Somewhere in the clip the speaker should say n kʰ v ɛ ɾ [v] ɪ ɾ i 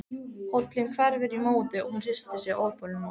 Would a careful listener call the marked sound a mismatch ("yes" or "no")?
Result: no